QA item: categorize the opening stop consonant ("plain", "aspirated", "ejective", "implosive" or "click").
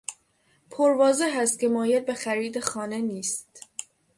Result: aspirated